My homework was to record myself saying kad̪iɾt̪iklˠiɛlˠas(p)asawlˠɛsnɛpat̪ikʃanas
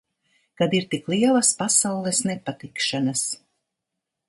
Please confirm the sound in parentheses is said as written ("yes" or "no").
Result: yes